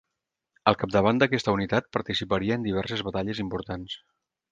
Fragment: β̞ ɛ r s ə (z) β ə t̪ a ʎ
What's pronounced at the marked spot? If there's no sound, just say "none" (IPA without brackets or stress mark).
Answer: z